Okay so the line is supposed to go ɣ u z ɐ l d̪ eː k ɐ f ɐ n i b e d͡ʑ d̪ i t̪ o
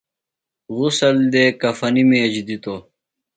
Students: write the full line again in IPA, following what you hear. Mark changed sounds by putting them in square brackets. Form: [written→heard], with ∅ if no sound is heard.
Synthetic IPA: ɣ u [z→s] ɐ l d̪ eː k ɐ f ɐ n i [b→m] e d͡ʑ d̪ i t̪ o